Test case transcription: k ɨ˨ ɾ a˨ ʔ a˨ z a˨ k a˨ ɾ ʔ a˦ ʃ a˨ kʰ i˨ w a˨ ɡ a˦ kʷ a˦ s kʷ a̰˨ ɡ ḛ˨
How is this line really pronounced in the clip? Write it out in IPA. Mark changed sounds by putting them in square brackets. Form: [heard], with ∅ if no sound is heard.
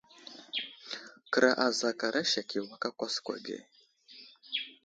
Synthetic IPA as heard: k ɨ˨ ɾ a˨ ʔ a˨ z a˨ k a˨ ɾ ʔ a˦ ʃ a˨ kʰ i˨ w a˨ [k] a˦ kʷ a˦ s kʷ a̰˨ ɡ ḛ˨